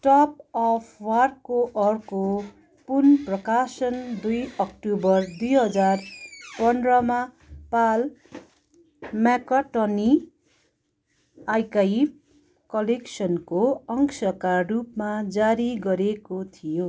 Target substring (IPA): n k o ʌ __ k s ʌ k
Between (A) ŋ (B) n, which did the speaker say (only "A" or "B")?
A